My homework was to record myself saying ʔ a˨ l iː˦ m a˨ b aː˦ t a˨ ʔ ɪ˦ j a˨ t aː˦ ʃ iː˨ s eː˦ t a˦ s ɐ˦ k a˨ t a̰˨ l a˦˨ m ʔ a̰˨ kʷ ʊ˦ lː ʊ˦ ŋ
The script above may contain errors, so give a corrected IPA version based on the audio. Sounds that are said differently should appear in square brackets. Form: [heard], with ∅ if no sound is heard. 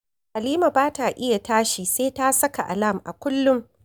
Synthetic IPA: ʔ a˨ l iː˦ m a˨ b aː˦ t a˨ ʔ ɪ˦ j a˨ t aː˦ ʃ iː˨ s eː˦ t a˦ s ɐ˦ k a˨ [ʔ] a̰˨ l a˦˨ m ʔ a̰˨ kʷ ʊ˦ lː ʊ˦ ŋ